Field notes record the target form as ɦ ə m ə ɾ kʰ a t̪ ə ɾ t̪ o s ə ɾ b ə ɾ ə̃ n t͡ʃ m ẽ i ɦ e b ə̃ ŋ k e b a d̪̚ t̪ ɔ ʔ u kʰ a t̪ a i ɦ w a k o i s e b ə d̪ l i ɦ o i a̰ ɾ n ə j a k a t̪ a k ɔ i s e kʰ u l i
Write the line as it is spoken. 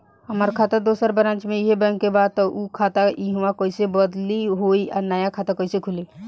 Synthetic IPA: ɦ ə m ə ɾ kʰ a t̪ ə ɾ d̪ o s ə ɾ b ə ɾ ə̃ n t͡ʃ m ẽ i ɦ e b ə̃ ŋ k e b a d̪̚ t̪ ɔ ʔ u kʰ a t̪ a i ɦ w a k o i s e b ə d̪ l i ɦ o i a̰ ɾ n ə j a kʰ a t̪ a k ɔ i s e kʰ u l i

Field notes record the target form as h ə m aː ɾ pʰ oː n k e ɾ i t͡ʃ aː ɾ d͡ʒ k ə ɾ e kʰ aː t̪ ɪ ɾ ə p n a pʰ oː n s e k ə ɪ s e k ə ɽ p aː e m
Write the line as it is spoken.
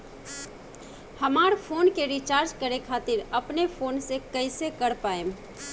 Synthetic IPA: h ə m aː ɾ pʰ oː n k e ɾ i t͡ʃ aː ɾ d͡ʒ k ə ɾ e kʰ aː t̪ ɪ ɾ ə p n e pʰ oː n s e k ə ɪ s e k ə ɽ p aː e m

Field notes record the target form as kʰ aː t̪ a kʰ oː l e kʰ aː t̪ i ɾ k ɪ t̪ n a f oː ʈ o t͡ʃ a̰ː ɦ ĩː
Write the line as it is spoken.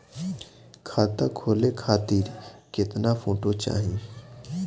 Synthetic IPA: kʰ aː t̪ a kʰ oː l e kʰ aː t̪ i ɾ k ɪ t̪ n a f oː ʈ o t͡ʃ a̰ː ɦ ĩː

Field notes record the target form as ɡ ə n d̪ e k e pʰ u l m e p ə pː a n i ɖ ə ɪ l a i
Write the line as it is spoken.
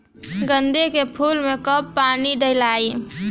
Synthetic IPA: ɡ ə n d̪ e k e pʰ u l m e k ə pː a n i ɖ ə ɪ l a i

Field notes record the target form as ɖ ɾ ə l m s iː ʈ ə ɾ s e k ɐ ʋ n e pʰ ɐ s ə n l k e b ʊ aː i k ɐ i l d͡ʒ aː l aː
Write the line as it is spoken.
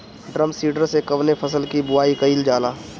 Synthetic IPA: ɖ ɾ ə m s iː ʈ ə ɾ s e k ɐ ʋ n e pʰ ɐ s ə l k i b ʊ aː i k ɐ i l d͡ʒ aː l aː

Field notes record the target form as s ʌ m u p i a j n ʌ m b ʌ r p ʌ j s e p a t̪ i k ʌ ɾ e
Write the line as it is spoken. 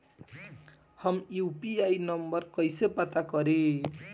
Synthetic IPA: h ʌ m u p i a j n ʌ m b ʌ r k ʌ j s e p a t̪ a k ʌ ɾ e

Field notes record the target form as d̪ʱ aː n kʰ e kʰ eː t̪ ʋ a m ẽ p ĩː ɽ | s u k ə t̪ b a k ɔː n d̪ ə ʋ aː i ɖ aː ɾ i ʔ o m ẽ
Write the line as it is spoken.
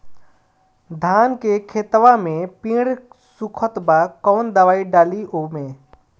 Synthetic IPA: d̪ʱ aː n k e kʰ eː t̪ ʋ a m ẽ p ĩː ɽ | s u kʰ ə t̪ b a k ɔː n d̪ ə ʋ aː i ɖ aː l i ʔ o m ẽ

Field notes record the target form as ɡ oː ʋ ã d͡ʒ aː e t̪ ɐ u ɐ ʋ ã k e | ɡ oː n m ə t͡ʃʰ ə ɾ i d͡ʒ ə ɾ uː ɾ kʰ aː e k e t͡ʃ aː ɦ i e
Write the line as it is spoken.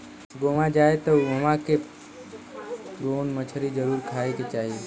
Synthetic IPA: ɡ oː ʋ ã d͡ʒ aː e t̪ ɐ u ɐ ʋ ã k e | ɡ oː n m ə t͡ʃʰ ə ɾ i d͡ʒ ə ɾ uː ɾ kʰ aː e k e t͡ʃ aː ɦ i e

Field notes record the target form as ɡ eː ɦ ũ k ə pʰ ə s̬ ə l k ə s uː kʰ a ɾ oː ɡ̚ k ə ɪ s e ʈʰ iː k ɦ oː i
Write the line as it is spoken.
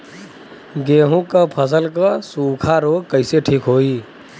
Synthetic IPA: ɡ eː ɦ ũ k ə pʰ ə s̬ ə l k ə s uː kʰ a ɾ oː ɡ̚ k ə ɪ s e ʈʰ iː k ɦ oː i

